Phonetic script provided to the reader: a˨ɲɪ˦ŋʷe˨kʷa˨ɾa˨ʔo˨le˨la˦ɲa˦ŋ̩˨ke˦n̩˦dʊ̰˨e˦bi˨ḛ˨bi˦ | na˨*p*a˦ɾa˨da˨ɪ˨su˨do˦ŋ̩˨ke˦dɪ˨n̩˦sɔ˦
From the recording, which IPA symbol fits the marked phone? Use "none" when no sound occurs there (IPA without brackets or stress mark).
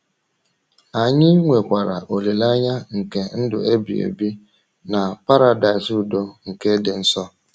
p